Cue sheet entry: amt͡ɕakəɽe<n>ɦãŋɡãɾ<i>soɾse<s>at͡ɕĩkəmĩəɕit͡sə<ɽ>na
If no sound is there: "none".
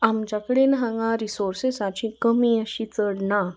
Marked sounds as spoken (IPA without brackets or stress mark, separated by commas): n, i, s, ɽ